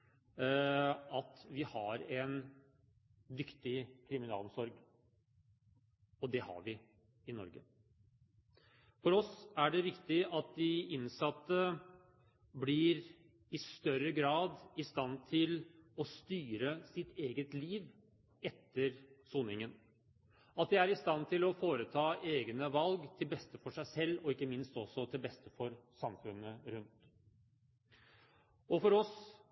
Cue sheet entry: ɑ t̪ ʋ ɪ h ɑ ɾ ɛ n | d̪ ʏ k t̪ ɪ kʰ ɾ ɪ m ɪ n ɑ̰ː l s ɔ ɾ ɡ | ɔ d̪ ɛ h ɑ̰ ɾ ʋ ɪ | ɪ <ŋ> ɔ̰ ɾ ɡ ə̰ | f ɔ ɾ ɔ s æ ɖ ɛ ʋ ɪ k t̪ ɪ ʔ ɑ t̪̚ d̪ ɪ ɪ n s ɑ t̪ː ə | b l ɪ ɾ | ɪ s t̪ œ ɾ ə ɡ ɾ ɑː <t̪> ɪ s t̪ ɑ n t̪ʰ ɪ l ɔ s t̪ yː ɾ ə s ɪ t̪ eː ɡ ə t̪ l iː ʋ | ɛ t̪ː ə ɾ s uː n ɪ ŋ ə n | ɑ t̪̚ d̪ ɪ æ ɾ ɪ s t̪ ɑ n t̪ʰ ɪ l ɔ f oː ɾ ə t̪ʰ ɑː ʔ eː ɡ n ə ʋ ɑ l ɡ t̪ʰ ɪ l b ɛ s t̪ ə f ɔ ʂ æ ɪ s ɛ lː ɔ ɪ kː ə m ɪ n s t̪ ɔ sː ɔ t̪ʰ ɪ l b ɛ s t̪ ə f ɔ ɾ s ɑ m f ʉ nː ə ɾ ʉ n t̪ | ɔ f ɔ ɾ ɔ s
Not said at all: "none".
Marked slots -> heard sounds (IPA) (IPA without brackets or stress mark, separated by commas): n, d̪